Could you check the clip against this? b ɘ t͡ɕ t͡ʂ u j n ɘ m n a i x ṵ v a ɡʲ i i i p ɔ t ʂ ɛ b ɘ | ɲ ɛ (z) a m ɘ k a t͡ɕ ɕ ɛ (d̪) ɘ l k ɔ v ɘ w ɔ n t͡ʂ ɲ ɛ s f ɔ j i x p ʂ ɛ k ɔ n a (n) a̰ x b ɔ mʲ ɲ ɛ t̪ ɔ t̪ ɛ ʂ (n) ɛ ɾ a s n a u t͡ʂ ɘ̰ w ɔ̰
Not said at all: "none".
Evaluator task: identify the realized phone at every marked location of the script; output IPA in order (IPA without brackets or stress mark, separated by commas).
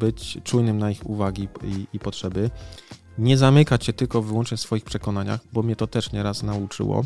z, t̪, ɲ, ɲ